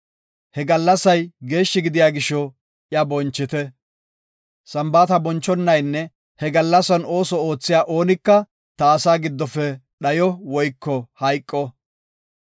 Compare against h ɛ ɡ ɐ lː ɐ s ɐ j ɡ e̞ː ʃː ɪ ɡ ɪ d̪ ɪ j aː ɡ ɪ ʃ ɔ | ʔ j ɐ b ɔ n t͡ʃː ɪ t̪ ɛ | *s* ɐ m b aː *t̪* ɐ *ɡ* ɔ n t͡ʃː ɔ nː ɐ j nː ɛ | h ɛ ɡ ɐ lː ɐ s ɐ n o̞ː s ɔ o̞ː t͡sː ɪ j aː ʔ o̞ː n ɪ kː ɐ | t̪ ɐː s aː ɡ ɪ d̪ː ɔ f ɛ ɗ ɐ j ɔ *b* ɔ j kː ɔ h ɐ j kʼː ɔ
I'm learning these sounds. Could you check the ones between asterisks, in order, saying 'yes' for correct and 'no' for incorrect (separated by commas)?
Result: yes, yes, no, no